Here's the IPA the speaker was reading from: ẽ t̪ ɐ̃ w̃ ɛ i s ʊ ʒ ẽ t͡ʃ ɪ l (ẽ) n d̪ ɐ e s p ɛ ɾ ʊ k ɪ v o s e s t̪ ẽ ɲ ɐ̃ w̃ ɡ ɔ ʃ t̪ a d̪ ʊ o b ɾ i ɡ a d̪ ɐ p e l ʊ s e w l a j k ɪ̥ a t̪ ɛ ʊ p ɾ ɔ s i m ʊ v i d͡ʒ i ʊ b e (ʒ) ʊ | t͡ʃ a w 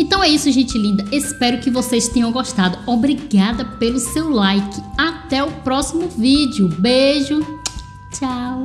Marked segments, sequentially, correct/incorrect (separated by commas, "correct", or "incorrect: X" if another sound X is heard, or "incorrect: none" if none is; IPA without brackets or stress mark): incorrect: ĩ, correct